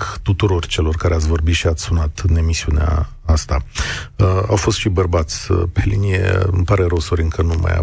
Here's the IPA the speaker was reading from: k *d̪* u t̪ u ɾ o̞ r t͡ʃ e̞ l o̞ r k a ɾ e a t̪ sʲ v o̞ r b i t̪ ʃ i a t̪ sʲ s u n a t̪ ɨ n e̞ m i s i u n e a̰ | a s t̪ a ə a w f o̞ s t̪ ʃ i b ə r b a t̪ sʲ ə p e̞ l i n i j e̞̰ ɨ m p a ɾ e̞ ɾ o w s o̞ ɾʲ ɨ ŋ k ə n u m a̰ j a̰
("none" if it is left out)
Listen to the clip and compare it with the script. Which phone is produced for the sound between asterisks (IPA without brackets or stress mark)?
t̪